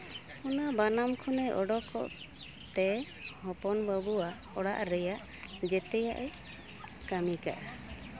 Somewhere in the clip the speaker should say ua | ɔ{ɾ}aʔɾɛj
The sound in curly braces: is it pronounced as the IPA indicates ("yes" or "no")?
no